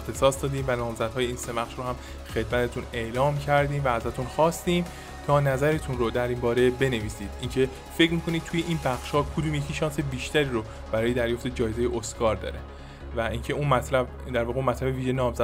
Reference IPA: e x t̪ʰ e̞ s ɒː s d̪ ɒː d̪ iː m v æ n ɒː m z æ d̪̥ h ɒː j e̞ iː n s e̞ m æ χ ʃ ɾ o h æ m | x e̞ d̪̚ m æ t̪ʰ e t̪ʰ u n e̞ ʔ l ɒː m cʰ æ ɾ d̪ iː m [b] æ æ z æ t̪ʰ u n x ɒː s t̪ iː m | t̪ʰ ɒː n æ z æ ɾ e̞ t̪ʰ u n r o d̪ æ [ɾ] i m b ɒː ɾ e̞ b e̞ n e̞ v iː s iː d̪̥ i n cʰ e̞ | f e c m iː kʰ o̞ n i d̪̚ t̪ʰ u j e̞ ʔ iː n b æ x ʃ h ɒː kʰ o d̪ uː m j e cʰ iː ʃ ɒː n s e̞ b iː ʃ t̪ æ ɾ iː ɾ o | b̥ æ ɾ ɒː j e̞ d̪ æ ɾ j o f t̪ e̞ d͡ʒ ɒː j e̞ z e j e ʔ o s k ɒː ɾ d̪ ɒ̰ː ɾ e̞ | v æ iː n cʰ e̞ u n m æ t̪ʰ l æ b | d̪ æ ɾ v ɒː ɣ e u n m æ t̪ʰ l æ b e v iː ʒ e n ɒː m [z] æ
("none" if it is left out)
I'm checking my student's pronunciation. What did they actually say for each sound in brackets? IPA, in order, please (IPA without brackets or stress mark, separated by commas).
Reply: v, ɾ, z